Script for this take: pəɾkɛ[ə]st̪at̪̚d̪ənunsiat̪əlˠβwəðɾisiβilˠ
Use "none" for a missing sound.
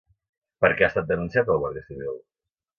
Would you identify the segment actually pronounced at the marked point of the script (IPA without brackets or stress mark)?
a